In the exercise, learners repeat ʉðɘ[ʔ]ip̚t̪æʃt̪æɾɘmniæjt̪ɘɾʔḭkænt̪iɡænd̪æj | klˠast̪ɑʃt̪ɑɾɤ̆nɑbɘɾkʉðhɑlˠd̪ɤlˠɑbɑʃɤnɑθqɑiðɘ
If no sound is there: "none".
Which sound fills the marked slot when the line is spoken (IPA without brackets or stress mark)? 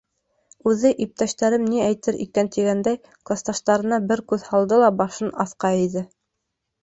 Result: ʔ